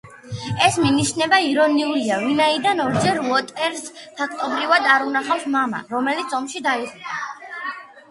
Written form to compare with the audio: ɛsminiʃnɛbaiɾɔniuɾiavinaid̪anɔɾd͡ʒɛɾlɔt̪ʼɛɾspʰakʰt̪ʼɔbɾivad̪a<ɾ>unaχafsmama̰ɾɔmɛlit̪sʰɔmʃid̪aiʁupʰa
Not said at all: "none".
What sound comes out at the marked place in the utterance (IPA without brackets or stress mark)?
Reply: ɾ